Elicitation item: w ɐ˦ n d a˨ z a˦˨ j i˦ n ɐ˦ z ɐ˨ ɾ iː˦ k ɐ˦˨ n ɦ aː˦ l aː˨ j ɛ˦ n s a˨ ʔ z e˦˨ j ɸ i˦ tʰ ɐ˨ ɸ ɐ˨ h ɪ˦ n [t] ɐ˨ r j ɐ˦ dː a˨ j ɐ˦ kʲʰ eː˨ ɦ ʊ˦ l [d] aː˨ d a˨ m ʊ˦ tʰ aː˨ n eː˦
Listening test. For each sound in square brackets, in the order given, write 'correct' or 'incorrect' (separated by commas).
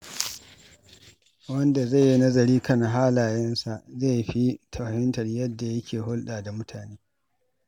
correct, incorrect